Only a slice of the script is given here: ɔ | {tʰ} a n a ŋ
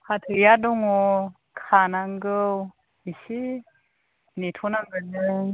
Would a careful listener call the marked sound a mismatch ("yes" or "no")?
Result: yes